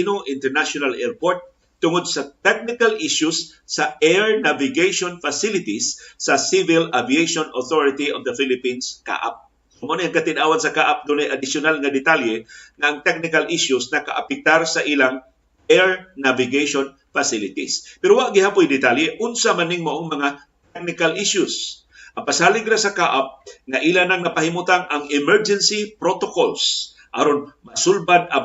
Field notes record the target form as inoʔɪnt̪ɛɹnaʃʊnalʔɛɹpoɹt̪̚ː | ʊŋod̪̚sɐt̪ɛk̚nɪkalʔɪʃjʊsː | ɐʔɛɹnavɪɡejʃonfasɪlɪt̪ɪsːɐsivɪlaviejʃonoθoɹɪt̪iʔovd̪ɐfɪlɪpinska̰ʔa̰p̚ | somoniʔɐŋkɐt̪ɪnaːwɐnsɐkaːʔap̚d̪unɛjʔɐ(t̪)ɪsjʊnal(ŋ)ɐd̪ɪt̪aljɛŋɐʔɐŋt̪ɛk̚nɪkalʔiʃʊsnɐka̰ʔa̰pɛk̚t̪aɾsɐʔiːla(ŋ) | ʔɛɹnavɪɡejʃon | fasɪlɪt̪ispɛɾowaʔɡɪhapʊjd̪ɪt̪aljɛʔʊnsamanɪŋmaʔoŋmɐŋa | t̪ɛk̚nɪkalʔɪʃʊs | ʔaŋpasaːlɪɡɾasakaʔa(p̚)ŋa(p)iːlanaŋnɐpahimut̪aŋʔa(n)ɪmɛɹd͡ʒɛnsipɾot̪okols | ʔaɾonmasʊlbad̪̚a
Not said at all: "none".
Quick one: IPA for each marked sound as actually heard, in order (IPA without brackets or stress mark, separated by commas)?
d̪, ŋ, ŋ, p̚, ʔ, ŋ